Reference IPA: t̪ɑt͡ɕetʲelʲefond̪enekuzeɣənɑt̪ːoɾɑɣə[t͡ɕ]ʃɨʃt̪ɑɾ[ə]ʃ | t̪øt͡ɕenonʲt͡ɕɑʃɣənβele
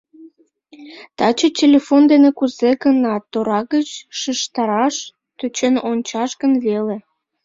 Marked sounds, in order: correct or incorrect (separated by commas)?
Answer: correct, incorrect